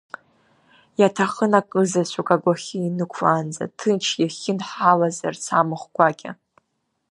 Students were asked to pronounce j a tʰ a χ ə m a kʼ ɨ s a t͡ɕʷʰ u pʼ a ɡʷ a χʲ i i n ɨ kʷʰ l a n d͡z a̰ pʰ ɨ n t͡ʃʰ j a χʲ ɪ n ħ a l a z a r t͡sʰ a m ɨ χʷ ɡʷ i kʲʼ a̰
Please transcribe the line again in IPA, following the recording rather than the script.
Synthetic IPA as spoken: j a tʰ a χ ə n a kʼ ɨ z a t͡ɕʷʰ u kʼ a ɡʷ a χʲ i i n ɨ kʷʰ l a n d͡z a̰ tʰ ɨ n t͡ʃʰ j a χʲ ɪ n ħ a l a z a r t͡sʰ a m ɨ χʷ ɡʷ a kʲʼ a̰

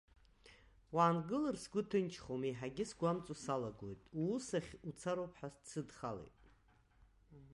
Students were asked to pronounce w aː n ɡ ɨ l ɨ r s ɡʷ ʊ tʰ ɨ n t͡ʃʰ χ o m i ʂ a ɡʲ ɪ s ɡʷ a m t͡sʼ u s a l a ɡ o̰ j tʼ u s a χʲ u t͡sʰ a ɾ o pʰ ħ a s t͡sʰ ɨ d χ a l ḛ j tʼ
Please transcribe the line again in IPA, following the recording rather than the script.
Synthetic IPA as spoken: w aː n ɡ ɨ l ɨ r s ɡʷ ʊ tʰ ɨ n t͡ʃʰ χ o m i ħ a ɡʲ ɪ s ɡʷ a m t͡sʼ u s a l a ɡ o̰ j tʼ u s a χʲ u t͡sʰ a ɾ o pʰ ħ a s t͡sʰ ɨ d χ a l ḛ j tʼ

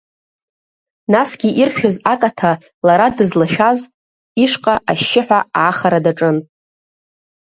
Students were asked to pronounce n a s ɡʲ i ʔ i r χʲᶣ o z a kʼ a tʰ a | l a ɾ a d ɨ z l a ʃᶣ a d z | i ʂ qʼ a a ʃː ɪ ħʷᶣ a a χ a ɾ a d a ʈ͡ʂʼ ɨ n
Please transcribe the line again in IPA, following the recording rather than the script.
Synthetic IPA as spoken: n a s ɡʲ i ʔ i r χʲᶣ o z a kʼ a tʰ a | l a ɾ a d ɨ z l a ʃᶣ a z | i ʂ qʼ a a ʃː ɪ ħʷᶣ a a χ a ɾ a d a ʈ͡ʂʼ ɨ n

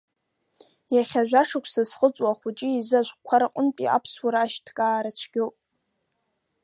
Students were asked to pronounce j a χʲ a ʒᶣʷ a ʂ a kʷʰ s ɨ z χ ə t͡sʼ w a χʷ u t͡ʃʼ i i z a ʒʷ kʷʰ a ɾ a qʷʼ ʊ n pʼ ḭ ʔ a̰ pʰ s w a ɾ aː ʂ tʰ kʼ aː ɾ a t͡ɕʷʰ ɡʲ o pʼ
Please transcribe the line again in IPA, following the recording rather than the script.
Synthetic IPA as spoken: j a χʲ a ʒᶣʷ a ʂ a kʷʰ s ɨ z χ ə t͡sʼ w a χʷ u t͡ʃʼ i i z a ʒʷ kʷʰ a ɾ a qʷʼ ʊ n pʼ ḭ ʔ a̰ pʰ s w a ɾ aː ʃ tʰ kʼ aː ɾ a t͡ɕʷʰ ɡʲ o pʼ

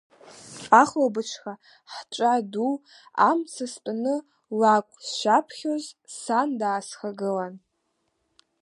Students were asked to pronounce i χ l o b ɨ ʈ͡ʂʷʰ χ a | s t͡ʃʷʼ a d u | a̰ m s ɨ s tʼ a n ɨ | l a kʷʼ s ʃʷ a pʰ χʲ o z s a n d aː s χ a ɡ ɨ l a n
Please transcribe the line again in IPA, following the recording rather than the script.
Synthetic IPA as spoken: a χ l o b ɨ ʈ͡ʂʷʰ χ a | ħ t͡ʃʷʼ a d u | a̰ m s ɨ s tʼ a n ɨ | l a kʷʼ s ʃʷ a pʰ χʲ o z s a n d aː s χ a ɡ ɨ l a n

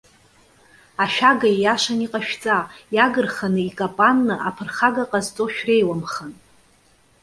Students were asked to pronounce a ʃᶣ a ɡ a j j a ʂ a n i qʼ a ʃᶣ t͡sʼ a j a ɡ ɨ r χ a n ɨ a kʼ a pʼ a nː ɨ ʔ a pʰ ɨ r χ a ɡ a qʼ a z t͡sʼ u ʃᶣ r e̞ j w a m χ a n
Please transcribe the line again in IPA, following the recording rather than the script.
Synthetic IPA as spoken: a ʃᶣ a ɡ a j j a ʂ a n i qʼ a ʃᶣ t͡sʼ a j a ɡ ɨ r χ a n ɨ i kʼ a pʼ a nː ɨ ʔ a pʰ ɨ r χ a ɡ a qʼ a z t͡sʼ o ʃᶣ r e̞ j w a m χ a n

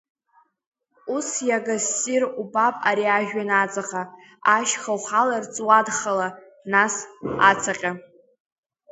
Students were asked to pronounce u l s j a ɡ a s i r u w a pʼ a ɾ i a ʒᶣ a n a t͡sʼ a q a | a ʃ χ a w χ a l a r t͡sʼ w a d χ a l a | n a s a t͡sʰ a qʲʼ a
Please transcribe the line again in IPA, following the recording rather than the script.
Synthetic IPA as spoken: u s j a ɡ a s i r u b a pʼ a ɾ i a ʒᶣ a n a t͡sʼ a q a | a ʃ χ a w χ a l a r t͡sʼ w a d χ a l a | n a s a t͡sʰ a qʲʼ a

